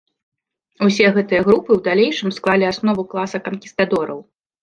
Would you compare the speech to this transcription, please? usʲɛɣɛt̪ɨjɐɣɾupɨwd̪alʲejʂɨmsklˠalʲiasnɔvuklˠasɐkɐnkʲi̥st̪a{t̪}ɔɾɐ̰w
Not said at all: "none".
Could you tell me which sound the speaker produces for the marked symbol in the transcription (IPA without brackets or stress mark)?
d̪